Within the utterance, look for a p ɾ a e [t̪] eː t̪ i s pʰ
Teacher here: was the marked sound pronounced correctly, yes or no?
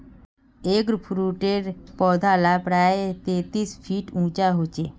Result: yes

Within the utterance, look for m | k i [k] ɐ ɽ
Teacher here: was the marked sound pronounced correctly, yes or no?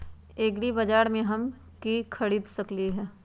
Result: no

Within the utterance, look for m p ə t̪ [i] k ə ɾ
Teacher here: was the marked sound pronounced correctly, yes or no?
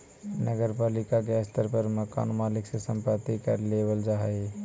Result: yes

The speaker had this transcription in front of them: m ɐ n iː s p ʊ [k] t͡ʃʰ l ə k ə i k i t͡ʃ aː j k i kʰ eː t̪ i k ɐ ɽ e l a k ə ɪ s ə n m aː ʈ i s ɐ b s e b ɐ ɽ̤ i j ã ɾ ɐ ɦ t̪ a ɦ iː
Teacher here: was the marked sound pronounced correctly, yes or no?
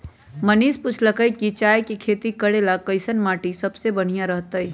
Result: no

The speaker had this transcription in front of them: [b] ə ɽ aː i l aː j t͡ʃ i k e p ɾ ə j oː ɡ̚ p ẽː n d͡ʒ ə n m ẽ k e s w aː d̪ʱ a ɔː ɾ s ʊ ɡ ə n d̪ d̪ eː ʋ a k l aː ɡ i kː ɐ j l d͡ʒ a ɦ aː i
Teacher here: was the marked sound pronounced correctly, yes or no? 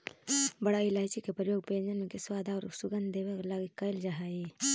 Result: yes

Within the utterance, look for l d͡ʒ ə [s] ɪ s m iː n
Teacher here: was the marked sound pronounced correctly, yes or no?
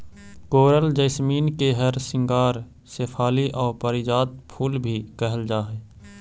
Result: no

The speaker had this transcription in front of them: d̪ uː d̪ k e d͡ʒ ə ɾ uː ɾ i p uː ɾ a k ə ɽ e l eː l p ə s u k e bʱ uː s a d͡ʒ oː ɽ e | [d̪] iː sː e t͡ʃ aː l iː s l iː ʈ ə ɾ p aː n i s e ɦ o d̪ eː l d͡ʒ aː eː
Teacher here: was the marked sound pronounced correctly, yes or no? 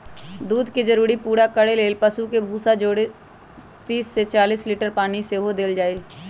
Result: no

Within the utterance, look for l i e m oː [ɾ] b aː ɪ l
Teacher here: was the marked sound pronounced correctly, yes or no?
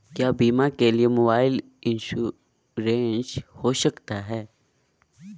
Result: no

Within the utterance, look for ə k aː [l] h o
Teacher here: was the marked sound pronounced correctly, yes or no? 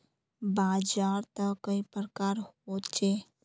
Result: no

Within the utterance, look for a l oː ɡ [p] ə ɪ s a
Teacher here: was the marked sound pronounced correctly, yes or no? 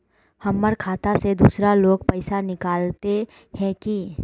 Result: yes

